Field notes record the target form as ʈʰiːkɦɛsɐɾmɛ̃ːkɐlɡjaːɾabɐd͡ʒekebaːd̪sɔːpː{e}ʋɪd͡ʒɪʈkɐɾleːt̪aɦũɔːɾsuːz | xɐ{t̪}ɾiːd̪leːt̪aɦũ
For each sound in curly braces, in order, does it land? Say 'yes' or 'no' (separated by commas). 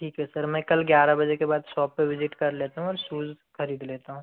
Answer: yes, no